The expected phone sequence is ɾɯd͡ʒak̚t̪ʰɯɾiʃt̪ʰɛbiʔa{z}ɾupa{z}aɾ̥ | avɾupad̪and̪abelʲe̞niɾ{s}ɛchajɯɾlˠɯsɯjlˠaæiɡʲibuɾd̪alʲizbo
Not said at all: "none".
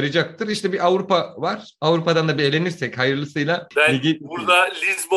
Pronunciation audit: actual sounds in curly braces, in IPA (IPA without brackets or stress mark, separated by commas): v, v, s